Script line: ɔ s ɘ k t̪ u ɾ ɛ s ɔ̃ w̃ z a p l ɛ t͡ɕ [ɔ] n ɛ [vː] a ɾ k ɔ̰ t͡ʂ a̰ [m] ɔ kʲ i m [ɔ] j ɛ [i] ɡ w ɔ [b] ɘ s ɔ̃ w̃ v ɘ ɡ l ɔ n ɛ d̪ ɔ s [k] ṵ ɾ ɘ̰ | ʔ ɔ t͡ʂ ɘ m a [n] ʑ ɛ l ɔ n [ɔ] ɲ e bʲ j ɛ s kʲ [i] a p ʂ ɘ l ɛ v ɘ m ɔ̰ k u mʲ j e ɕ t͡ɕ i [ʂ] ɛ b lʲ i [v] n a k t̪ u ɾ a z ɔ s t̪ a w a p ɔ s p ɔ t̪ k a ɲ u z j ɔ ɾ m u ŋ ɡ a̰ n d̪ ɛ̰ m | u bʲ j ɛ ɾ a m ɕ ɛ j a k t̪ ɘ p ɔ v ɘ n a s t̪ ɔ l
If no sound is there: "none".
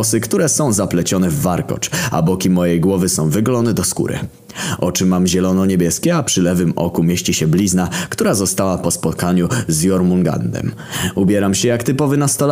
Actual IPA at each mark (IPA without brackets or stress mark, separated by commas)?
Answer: ɔ, vː, b, ɔ, j, v, k, m, ɔ, ɛ, ɕ, z